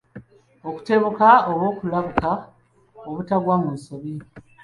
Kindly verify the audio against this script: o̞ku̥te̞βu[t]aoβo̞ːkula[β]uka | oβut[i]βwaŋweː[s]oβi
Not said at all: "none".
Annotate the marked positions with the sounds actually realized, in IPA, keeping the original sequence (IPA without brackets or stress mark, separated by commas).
k, β, a, s